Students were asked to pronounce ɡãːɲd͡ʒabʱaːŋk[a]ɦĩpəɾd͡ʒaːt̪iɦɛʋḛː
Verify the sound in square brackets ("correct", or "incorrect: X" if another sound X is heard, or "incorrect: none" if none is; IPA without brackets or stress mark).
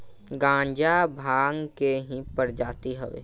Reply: incorrect: e